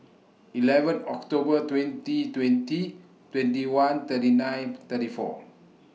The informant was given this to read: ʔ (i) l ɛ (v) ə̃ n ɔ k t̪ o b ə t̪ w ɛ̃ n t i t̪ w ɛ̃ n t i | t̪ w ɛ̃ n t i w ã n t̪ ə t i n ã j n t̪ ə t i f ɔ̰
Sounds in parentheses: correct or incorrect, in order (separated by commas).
correct, correct